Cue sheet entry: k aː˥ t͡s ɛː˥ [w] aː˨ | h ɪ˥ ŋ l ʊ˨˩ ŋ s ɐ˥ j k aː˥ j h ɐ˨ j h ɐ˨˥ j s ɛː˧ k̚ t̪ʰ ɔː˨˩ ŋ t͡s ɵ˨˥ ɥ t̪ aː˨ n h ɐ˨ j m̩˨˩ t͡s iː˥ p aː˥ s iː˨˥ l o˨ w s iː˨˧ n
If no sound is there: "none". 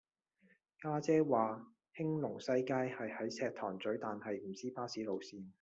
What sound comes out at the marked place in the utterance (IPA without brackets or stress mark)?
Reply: w